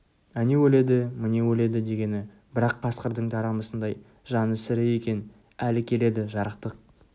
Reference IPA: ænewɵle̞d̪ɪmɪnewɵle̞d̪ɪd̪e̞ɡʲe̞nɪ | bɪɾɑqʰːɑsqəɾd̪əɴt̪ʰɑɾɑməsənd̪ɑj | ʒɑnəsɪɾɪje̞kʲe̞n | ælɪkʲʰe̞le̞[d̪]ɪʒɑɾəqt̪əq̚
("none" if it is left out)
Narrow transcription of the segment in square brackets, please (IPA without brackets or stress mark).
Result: d̪